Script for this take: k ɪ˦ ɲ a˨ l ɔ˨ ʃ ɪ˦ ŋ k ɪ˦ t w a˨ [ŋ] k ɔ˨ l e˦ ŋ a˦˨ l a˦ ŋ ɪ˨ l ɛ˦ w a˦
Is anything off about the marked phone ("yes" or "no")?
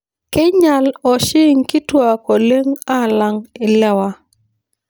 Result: yes